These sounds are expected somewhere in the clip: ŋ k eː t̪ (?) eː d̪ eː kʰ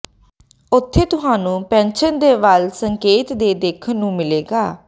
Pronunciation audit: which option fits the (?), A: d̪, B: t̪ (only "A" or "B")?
A